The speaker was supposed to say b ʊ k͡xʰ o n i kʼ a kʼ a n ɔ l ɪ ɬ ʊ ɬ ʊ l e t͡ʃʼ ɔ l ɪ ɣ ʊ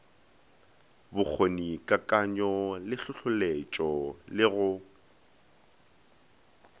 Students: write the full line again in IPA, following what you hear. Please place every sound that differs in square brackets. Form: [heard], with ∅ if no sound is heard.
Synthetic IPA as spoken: b ʊ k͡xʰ o n i kʼ a kʼ a [ɲ] ɔ l ɪ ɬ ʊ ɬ ʊ l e t͡ʃʼ ɔ l ɪ ɣ ʊ